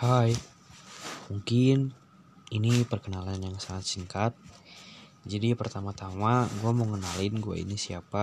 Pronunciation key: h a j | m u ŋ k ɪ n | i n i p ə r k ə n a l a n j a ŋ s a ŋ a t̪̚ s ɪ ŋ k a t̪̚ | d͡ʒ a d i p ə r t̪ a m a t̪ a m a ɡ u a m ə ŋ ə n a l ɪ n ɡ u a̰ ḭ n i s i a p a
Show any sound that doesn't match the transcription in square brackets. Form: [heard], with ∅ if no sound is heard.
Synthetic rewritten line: h a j | m u ŋ k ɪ n | i n i p ə r k ə n a l a n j a ŋ s a ŋ a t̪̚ s [i] ŋ k a t̪̚ | d͡ʒ a d i p ə r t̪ a m a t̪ a m a ɡ u a m ə ŋ ə n a l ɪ n ɡ u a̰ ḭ n i s i a p a